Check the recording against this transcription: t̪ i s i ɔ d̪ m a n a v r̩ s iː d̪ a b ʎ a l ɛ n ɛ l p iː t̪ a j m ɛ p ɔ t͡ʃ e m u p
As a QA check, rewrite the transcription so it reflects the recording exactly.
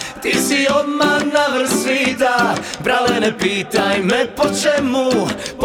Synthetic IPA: t̪ i s i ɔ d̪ m a n a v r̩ s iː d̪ a b ɾ a l ɛ n ɛ p iː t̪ a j m ɛ p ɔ t͡ʃ ɛ m u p